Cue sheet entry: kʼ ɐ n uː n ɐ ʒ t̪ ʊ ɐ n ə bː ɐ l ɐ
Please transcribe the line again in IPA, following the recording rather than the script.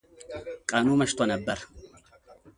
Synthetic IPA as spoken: kʼ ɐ n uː m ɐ ʃ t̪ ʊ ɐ n ɐ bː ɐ ɾ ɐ

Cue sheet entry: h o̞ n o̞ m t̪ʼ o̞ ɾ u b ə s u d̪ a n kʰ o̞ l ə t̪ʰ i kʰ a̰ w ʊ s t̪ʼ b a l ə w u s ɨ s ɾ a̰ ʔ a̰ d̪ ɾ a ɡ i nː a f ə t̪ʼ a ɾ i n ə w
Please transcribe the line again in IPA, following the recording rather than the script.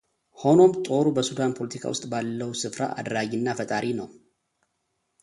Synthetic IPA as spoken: h o̞ n o̞ m t̪ʼ o̞ ɾ u b ə s u d̪ a n pʰ o̞ l ə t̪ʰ i kʰ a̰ w ʊ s t̪ʼ b a lː ə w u s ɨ f ɾ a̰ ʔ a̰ d̪ ɾ a ɡ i nː a f ə t̪ʼ a ɾ i n ə w

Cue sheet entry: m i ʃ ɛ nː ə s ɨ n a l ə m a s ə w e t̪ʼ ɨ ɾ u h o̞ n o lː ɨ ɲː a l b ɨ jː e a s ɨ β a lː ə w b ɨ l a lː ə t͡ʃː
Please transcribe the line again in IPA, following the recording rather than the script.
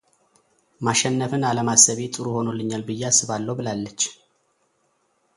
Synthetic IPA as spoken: m a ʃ ɛ nː ə f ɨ n a l ə m a s ə β e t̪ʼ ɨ ɾ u h o̞ n o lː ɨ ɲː a l b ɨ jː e a s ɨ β a lː ə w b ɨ l a lː ə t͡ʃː

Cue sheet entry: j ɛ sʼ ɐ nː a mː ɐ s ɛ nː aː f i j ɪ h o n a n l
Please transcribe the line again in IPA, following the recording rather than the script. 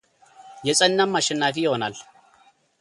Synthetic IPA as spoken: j ɛ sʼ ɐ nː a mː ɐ ʃ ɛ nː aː f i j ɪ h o n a l

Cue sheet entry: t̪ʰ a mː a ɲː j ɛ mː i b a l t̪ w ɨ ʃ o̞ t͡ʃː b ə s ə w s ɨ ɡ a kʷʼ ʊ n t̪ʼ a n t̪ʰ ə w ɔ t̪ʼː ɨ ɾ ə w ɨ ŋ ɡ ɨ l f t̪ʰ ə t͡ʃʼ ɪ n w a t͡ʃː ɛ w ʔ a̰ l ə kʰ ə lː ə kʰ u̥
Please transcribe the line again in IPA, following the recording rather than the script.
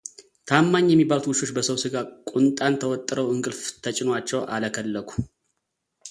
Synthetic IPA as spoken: t̪ʰ a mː a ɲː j ɛ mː i b a l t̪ w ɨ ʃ o̞ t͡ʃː b ə s ə w s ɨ ɡ a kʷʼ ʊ n t̪ʼ a n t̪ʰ ə w ɔ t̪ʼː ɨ ɾ ə w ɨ ŋ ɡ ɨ l f t̪ʰ ə t͡ʃʼ ɪ n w a t͡ʃː ɛ w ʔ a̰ l ə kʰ ə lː ə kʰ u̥

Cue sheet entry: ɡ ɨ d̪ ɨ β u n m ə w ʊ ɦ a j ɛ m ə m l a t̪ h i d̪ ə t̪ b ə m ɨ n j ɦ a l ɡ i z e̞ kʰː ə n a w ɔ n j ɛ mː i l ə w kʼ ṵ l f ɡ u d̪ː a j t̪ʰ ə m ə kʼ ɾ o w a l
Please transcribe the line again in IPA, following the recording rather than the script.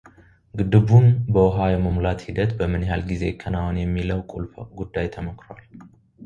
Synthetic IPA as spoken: ɡ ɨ d̪ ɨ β u n b ə w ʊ ɦ a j ɛ m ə m l a t̪ h i d̪ ə t̪ b ə m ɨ n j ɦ a l ɡ i z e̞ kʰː ə n a w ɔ n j ɛ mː i l ə w kʼ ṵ l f ɡ u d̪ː a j t̪ʰ ə m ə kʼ ɾ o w a l

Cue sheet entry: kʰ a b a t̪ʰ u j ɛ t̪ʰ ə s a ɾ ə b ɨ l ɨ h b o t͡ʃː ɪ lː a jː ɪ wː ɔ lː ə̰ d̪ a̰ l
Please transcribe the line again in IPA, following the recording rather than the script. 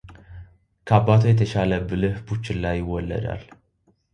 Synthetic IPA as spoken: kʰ a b a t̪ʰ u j ɛ t̪ʰ ə ʃ a l ə b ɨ l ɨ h b u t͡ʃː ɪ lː a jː ɪ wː ɔ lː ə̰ d̪ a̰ l

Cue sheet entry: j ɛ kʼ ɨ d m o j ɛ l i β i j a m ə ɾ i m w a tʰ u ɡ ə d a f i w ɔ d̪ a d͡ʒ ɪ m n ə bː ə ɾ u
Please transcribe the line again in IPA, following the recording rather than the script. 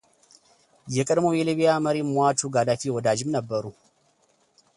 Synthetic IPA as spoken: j ɛ kʼ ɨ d m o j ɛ l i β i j a m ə ɾ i m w a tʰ u ɡ a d a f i w ɔ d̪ a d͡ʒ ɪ m n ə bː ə ɾ u

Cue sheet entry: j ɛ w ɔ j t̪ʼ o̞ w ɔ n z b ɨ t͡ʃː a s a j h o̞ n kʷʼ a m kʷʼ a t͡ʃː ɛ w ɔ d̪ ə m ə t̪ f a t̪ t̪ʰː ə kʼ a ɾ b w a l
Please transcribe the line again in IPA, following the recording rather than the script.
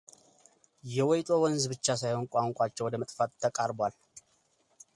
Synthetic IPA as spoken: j ɛ w ɔ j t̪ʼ o̞ w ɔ n z b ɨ t͡ʃː a s a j h o̞ n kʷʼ a ŋ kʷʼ a t͡ʃː ɛ w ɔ d̪ ə m ə t̪ʼ f a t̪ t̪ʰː ə kʼ a ɾ b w a l

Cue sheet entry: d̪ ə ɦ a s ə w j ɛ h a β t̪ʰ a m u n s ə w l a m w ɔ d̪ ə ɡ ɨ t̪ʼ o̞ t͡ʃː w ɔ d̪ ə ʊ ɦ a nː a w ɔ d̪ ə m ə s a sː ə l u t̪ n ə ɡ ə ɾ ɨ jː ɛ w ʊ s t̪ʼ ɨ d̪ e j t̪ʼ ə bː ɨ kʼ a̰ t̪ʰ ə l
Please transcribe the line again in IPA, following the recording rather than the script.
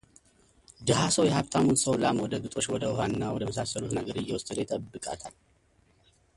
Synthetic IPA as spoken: d̪ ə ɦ a s ə w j ɛ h a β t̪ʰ a m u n s ə w l a m w ɔ d̪ ə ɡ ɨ t̪ʼ o̞ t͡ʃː w ɔ d̪ ə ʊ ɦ a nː a w ɔ d̪ ə m ə s a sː ə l u t̪ n ə ɡ ə ɾ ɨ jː ɛ w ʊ s t̪ʼ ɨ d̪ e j t̪ʼ ə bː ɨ kʼ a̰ t̪ʰ a l

